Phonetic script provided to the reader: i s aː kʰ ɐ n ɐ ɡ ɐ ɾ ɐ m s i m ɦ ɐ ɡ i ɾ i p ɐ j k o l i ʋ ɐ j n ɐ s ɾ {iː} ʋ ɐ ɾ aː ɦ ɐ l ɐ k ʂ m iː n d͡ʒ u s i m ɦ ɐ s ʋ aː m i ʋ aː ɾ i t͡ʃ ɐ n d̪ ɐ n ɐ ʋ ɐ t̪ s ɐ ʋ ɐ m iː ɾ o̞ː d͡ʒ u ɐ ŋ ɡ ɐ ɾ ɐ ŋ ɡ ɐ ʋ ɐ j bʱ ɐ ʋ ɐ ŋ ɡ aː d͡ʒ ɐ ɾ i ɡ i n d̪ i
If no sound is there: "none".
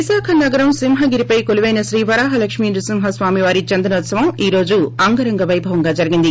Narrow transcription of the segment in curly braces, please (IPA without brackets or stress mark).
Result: iː